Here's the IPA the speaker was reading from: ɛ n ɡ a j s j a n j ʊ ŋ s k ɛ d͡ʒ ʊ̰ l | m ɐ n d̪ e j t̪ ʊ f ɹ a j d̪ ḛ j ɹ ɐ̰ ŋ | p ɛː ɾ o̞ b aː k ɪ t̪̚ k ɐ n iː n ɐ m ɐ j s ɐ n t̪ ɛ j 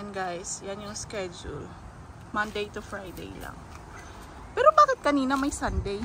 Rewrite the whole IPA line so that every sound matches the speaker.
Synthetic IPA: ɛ n ɡ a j s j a n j ʊ ŋ s k ɛ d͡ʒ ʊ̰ l | m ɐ n d̪ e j t̪ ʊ f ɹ a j d̪ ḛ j l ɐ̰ ŋ | p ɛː ɾ o̞ b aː k ɪ t̪̚ k ɐ n iː n ɐ m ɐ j s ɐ n d̪ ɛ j